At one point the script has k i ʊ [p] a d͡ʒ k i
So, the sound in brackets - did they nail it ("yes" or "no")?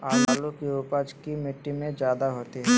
yes